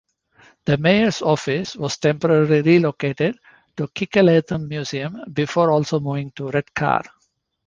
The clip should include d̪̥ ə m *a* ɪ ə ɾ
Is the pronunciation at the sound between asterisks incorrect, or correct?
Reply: incorrect